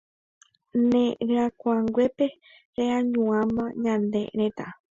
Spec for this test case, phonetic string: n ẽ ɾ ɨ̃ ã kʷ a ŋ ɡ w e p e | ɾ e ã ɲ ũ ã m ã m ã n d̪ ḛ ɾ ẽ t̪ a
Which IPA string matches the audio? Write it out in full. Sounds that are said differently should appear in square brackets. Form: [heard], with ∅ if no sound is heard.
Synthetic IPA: n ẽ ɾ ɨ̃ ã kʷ a ŋ ɡ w e p e | ɾ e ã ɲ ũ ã m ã [ɲ] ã n d̪ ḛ ɾ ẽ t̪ a

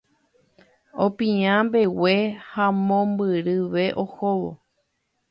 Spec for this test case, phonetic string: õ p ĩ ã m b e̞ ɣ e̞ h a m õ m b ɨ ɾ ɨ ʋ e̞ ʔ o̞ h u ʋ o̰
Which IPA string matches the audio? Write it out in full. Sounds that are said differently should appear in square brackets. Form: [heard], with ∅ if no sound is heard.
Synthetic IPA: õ p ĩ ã m b e̞ [w] e̞ h a m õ m b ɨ ɾ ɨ ʋ e̞ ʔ o̞ h [o] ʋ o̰

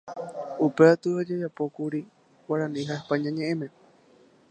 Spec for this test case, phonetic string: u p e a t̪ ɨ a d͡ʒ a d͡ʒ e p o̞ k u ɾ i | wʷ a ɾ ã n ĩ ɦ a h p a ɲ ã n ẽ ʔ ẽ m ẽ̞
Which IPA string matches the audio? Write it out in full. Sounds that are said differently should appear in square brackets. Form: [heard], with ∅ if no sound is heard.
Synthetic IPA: u p e a t̪ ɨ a d͡ʒ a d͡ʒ [a] p o̞ k u ɾ i | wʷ a ɾ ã n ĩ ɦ a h p a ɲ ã [ɲ] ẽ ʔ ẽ m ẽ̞

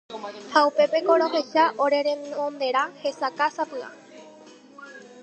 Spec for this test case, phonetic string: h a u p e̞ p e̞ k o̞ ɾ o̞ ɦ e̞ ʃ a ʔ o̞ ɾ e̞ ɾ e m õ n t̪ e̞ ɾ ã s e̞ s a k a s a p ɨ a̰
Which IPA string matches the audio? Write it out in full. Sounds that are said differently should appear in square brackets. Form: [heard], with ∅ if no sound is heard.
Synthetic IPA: h a u p e̞ p e̞ k o̞ ɾ o̞ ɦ e̞ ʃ a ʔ o̞ ɾ e̞ ɾ e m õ n [d̪] e̞ ɾ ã [h] e̞ s a k a s a p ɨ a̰

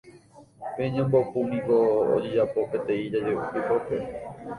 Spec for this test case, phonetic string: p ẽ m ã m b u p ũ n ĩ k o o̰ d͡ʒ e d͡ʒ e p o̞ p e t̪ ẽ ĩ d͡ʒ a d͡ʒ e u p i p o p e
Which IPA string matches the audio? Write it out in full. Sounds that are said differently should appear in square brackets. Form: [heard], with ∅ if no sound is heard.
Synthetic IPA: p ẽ [ɲ] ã m b [o] p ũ n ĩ k o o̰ d͡ʒ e d͡ʒ [a] p o̞ p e t̪ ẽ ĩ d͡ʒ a d͡ʒ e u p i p o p e

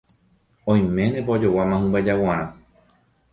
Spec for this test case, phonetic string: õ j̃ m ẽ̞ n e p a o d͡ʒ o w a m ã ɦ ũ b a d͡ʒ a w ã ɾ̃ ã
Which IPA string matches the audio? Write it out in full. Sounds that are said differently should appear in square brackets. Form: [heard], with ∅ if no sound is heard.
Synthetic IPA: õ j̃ m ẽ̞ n e p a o d͡ʒ o w a m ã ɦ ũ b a d͡ʒ a w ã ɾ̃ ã

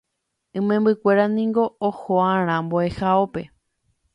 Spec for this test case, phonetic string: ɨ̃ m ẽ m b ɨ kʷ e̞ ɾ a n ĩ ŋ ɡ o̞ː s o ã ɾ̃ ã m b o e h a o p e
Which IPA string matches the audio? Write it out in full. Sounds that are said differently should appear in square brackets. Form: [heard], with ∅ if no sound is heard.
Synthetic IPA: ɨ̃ m ẽ m b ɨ kʷ e̞ ɾ a n ĩ ŋ ɡ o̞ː [h] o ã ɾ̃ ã m b o e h a o p e

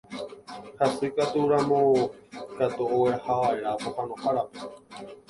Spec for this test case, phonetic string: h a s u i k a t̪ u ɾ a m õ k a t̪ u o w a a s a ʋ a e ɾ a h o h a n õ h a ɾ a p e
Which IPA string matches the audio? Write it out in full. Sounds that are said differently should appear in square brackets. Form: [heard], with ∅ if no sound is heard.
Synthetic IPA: h a s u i k a t̪ u ɾ a m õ k a t̪ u o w [e] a [h] a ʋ a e ɾ a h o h a n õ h a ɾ a p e

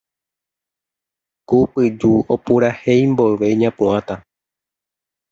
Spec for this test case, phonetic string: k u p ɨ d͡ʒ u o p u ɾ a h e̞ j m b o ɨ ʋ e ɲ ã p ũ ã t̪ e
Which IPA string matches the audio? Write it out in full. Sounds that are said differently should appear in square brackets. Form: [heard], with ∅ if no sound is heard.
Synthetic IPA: k u p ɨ d͡ʒ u o p u ɾ a h e̞ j m b o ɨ ʋ e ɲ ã p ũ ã t̪ [a]

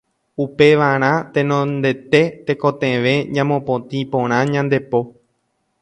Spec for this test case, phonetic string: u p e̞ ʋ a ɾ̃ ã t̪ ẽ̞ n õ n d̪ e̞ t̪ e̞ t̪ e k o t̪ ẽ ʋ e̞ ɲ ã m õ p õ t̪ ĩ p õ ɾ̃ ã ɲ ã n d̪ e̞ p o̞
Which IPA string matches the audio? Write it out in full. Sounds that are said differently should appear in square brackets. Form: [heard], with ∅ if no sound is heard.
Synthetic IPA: u p e̞ ʋ a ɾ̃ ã t̪ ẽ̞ n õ n d̪ e̞ t̪ e̞ t̪ e k o t̪ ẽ ʋ e̞ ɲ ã m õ p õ t̪ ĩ p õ ɾ̃ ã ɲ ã n d̪ e̞ p o̞

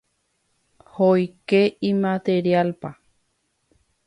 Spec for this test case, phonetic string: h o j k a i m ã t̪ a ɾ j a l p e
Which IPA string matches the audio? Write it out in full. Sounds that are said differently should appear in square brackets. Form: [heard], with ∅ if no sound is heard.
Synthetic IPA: h o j k [e] i m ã t̪ [e] ɾ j a l p [a]

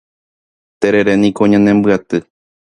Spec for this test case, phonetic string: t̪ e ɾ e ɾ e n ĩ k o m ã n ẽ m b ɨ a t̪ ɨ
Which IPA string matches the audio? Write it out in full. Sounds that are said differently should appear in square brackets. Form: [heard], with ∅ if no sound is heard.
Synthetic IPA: t̪ e ɾ e ɾ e n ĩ k o [ɲ] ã n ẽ m b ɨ a t̪ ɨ

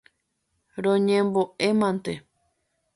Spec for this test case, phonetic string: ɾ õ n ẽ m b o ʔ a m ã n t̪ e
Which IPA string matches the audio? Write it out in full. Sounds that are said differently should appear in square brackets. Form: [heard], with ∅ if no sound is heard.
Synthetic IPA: ɾ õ [ɲ] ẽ m b o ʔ [e] m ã n t̪ e

